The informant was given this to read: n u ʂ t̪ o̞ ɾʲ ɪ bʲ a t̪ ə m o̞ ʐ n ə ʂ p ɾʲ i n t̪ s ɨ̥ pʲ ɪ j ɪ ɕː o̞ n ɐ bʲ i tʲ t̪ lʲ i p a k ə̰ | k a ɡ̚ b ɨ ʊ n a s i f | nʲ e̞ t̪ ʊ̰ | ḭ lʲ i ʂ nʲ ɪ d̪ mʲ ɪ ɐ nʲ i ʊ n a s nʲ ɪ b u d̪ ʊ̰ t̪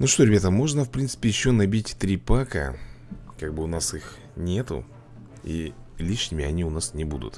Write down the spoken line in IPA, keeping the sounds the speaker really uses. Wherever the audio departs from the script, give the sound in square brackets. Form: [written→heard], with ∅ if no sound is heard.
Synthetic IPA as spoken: n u ʂ t̪ o̞ ɾʲ ɪ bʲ a t̪ ə m o̞ ʐ n ə [ʂ→f] p ɾʲ i n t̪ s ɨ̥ pʲ ɪ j ɪ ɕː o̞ n ɐ bʲ i tʲ t̪ [lʲ→ɾʲ] i p a k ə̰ | k a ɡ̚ b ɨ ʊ n a s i [f→x] | nʲ e̞ t̪ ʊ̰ | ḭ lʲ i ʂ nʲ ɪ [d̪→∅] mʲ ɪ ɐ nʲ i ʊ n a s nʲ ɪ b u d̪ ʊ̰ t̪